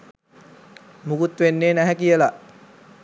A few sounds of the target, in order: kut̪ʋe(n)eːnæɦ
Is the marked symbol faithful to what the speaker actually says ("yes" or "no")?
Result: no